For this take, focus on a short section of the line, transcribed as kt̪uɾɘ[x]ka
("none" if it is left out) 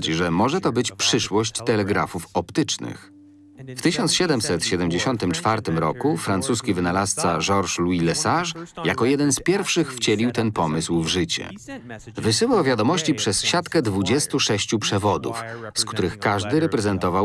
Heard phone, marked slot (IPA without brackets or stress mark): x